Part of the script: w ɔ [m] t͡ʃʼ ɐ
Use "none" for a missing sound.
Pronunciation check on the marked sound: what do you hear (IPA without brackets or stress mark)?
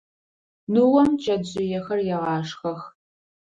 m